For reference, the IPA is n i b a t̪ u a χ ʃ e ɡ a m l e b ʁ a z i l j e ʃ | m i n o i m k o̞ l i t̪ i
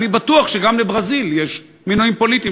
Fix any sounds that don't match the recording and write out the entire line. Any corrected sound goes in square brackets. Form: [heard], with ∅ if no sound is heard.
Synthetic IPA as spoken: n i b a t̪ u a χ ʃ e ɡ a m l e b ʁ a z i l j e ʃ | m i n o i m [p] o̞ l i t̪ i